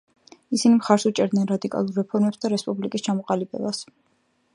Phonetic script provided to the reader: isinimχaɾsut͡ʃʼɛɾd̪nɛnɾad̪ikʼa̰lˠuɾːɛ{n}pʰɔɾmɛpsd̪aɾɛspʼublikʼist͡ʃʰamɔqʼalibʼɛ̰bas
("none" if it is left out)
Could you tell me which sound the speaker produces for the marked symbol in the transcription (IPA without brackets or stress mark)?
none